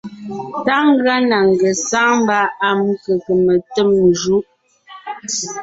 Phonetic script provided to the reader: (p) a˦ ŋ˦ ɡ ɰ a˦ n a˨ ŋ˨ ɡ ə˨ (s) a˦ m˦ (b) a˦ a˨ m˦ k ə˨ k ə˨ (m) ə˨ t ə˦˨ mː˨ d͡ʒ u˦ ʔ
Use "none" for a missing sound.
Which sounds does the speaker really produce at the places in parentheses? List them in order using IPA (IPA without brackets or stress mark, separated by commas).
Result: t, s, b, m